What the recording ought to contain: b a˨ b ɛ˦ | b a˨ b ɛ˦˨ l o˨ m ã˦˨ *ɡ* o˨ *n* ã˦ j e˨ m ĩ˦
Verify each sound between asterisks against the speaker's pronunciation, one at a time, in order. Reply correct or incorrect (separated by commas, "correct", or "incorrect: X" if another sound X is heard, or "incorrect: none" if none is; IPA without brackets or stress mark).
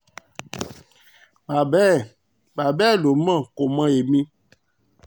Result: incorrect: k, incorrect: m